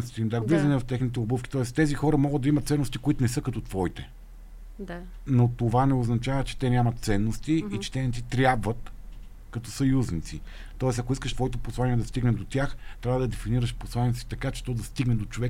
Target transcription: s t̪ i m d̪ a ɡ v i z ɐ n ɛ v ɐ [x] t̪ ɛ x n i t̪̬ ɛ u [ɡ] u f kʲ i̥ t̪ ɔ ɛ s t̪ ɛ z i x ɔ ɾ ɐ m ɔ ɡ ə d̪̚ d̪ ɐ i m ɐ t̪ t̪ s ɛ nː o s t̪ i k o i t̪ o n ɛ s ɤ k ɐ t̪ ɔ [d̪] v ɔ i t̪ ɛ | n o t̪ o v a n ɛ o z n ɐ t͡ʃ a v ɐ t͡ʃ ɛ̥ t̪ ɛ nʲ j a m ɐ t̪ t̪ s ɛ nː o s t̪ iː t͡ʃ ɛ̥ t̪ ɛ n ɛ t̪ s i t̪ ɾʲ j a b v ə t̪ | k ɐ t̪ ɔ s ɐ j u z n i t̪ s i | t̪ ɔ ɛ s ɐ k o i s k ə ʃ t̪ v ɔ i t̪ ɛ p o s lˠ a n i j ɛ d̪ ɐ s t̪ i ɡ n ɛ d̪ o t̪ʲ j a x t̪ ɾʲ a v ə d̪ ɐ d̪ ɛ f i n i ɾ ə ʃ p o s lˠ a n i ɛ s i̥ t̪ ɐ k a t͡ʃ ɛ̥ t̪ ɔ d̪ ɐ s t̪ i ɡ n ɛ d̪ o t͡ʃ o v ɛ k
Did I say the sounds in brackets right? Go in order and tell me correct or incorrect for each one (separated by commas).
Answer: incorrect, incorrect, incorrect